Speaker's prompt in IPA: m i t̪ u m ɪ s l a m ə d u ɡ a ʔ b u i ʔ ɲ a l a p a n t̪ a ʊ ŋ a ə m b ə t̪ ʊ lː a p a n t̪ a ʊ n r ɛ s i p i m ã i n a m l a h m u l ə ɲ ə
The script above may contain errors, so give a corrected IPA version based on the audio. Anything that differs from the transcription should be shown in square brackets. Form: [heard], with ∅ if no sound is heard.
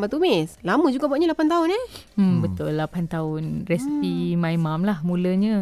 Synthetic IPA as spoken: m [a] t̪ u m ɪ s l a m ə [d͡ʒ] u ɡ a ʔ b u [a] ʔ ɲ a l a p a n t̪ a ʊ [n] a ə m b ə t̪ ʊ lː a p a n t̪ a ʊ n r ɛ s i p i m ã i [m] a m l a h m u l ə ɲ ə